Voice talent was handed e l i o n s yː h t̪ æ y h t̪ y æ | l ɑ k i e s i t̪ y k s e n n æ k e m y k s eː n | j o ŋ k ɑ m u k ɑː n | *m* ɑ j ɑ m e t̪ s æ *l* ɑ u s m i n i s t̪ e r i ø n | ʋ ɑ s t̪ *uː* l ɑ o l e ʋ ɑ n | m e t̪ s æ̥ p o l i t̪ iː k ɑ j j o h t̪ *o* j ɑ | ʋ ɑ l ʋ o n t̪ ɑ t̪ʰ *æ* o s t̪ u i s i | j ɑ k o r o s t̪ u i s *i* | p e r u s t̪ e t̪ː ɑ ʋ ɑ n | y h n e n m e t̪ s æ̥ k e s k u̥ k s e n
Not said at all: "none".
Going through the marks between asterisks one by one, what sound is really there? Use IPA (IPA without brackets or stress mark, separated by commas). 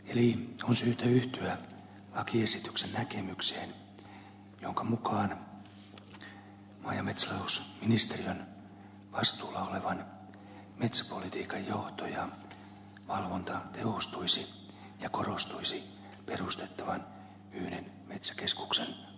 m, l, uː, o, e, i